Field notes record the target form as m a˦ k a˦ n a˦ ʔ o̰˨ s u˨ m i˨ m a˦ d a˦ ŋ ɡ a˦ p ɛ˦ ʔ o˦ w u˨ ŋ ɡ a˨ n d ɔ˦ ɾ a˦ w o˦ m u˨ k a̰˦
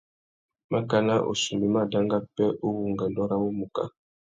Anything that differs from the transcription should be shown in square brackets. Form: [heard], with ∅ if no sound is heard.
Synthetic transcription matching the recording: m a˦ k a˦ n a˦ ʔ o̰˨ s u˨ m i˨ m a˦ d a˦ ŋ ɡ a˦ p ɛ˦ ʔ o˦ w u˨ ŋ ɡ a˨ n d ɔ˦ ɾ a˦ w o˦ m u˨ k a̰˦